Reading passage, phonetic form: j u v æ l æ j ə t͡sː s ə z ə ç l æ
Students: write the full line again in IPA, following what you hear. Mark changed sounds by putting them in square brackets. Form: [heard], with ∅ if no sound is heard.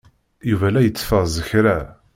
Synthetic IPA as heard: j u v æ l æ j ə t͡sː [f] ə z ə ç [ɾ] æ